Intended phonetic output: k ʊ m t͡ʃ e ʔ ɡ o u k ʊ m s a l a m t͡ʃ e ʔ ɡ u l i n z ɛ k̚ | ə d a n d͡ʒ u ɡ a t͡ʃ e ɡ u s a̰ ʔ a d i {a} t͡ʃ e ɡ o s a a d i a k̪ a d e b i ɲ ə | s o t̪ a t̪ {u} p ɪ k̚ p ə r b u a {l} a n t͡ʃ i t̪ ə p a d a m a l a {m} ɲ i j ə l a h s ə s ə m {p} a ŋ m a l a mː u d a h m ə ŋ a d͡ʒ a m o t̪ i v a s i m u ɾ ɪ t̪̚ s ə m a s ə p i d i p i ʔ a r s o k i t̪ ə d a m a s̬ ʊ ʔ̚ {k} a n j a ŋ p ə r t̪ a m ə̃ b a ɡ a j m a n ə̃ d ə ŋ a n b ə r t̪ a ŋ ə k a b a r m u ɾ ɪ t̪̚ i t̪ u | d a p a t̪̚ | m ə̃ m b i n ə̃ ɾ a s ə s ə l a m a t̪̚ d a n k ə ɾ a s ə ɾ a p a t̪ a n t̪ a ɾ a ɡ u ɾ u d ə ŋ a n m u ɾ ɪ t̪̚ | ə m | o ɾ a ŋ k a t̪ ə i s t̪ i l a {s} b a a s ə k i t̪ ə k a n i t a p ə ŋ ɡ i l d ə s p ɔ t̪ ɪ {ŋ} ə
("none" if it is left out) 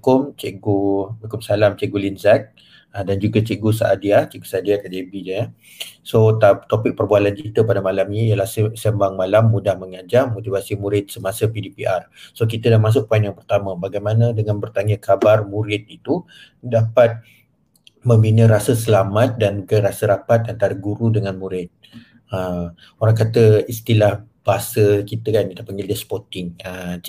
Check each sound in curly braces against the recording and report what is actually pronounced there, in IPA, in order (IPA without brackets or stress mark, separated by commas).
a, o, l, m, b, p, h, ŋ